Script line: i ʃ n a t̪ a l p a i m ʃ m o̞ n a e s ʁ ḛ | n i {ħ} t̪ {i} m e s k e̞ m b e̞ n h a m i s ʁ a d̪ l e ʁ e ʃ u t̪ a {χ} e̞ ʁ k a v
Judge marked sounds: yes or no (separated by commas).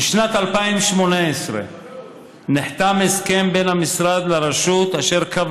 yes, no, no